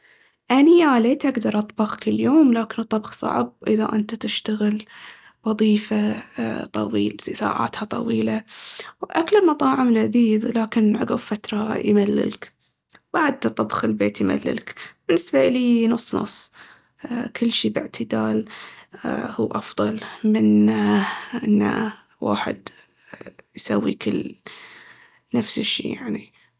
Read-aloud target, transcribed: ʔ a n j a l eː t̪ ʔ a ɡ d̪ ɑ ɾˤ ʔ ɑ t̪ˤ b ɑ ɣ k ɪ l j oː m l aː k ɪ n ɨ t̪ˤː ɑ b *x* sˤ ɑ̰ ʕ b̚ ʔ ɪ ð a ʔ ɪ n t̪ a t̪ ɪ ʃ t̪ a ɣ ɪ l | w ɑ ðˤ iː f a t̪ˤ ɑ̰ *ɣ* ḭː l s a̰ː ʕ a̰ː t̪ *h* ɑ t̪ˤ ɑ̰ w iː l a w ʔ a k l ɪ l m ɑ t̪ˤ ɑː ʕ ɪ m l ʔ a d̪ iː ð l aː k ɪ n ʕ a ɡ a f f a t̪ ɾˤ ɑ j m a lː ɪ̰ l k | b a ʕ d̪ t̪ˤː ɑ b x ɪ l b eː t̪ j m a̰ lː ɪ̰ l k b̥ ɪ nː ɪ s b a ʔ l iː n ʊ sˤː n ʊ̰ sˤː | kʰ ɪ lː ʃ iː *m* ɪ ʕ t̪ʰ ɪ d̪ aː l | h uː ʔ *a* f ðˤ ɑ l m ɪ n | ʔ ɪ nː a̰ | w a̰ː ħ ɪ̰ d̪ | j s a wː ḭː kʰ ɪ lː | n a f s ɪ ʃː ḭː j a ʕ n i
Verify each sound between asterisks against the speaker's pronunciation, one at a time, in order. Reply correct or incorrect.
correct, incorrect: w, correct, incorrect: b, incorrect: ɑ

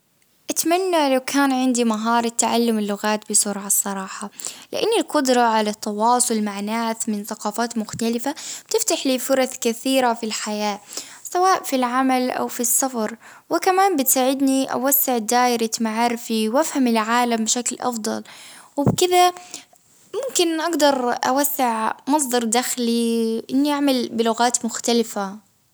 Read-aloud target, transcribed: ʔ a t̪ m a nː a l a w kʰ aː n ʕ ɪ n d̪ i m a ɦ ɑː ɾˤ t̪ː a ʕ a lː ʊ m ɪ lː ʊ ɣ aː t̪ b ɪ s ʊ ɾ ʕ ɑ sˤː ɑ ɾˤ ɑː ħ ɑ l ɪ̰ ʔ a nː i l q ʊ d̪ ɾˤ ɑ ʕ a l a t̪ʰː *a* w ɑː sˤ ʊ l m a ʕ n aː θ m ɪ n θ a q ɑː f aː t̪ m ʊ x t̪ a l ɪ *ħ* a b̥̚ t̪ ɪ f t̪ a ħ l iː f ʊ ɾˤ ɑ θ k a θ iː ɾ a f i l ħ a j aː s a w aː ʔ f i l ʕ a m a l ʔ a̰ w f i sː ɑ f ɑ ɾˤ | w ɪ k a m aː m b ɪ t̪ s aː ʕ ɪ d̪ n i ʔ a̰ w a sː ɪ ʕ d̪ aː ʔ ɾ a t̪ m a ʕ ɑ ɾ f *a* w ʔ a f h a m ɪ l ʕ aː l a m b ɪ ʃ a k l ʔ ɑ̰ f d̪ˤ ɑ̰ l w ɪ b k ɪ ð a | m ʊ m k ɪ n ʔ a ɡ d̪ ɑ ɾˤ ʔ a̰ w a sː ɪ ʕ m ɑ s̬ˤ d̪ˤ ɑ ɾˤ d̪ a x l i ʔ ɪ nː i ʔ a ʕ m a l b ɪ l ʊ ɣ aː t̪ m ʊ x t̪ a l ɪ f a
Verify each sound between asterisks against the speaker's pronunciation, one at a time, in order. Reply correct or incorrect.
incorrect: ɑ, incorrect: f, incorrect: i

